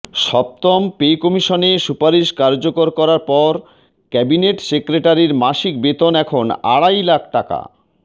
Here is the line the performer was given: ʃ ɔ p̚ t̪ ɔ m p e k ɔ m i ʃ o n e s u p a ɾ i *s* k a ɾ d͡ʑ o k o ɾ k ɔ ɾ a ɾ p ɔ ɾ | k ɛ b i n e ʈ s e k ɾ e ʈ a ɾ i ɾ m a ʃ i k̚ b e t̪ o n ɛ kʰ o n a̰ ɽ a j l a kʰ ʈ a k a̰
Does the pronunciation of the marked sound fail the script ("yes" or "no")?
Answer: yes